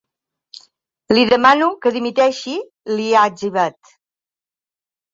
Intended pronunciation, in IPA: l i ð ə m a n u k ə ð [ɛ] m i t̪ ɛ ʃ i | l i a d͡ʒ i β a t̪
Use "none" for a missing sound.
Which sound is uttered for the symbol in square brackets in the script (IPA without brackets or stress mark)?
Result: i